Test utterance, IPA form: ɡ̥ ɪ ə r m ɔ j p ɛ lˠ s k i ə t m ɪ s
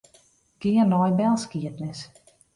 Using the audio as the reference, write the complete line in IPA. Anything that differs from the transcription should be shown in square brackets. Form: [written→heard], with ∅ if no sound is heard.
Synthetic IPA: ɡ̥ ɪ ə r [m→n] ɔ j [p→b] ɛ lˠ s k i ə t [m→n] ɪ s